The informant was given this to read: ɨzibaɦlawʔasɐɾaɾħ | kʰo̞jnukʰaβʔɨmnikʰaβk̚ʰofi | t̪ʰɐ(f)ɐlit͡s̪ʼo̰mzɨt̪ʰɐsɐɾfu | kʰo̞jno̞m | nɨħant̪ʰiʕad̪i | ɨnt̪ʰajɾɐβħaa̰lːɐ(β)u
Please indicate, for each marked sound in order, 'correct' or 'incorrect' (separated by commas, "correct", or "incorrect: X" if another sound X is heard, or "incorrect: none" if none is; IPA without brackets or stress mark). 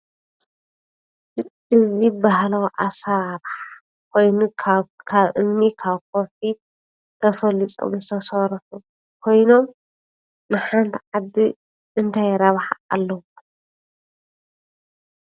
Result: correct, incorrect: w